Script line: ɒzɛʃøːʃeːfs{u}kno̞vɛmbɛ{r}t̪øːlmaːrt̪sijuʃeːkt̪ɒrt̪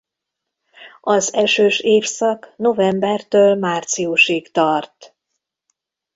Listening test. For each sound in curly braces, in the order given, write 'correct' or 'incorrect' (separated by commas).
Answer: incorrect, correct